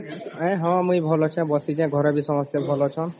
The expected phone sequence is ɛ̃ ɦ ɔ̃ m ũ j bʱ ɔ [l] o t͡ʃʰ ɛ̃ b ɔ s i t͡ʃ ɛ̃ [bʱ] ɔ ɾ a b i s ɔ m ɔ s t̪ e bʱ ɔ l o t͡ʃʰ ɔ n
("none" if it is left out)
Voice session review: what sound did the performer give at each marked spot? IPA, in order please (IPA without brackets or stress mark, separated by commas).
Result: l, ɡʱ